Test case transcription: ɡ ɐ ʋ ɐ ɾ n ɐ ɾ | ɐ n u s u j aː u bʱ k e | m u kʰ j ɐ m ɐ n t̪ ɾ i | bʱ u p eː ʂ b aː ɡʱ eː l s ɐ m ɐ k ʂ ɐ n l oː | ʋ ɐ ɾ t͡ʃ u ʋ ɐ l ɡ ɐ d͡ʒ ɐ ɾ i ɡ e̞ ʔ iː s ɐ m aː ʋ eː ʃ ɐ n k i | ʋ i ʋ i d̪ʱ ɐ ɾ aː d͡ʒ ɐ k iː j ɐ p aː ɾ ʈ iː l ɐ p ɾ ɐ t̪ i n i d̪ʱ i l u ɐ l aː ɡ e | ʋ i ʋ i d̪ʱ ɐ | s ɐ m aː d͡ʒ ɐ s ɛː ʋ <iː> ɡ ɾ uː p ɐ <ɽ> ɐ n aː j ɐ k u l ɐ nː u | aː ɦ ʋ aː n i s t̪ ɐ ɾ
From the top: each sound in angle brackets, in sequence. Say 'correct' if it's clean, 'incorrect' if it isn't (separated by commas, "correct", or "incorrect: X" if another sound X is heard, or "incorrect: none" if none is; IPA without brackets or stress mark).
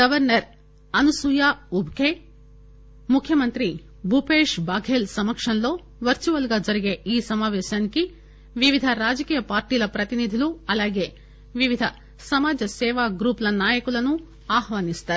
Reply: incorrect: aː, incorrect: l